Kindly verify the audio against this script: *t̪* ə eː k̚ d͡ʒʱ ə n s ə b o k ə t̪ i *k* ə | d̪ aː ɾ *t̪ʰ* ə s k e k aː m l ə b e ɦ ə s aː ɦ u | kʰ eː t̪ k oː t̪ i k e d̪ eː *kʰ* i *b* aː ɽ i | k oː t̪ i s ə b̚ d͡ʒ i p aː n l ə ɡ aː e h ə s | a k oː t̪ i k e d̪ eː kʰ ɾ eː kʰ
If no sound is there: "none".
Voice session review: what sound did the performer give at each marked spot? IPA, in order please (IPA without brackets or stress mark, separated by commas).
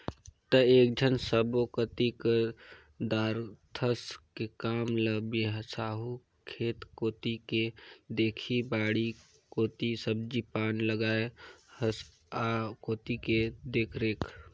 t̪, k, t̪ʰ, kʰ, b